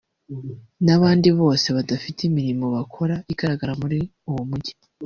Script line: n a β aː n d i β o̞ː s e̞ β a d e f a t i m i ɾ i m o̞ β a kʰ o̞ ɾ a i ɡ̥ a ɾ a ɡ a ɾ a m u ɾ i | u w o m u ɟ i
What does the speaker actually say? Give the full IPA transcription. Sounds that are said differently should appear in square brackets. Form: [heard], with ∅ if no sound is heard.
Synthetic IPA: n a β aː n d i β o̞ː s e̞ β a d [a] f [i] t i m i ɾ i m o̞ β a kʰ o̞ ɾ a i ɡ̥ a ɾ a ɡ a ɾ a m u ɾ i | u w o m u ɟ i